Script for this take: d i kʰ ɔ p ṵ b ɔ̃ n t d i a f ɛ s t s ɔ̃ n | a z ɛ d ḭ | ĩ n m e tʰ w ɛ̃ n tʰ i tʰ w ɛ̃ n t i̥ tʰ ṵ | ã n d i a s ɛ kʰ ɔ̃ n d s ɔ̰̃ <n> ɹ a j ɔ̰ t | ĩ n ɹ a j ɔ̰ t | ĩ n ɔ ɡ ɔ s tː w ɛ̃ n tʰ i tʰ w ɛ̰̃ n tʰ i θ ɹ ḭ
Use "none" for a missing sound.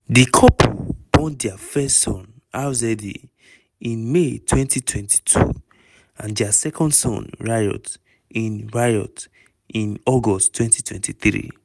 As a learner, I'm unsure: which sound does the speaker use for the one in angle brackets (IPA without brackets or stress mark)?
n